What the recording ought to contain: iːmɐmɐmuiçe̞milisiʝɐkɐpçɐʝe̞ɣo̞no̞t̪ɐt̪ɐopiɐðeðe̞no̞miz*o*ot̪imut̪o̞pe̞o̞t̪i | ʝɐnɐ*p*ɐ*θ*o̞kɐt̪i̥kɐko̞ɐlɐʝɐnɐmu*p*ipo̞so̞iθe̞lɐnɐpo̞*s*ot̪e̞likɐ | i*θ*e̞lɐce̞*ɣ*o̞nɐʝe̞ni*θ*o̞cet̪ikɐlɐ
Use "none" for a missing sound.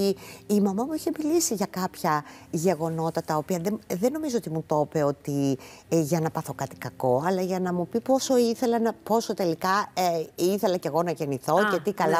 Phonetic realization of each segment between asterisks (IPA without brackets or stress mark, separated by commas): o, p, θ, p, s, θ, ɣ, θ